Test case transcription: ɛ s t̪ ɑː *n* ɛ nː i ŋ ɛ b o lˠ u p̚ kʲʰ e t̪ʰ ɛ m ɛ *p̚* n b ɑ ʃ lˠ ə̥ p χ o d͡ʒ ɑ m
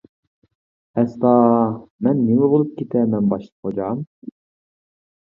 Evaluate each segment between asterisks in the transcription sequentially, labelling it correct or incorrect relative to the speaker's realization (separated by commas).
incorrect, incorrect